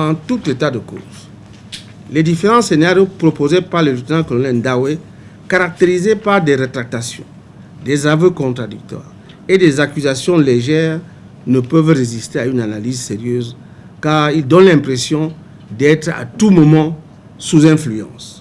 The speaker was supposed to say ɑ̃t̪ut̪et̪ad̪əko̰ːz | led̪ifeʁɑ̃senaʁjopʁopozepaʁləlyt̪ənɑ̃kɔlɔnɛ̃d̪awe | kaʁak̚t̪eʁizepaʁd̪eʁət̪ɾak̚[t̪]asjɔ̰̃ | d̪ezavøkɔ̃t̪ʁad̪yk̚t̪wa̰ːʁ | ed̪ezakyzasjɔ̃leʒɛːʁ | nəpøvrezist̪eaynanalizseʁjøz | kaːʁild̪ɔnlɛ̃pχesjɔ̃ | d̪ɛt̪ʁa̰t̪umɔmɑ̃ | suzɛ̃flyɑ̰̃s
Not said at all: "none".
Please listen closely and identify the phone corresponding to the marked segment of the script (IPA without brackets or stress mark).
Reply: t̪